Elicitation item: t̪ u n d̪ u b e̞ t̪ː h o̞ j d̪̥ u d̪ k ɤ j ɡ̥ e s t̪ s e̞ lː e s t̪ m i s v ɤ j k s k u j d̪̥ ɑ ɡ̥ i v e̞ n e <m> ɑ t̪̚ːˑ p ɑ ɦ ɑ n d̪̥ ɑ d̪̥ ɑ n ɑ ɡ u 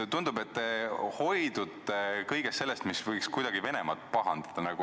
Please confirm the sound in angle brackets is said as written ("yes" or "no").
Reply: yes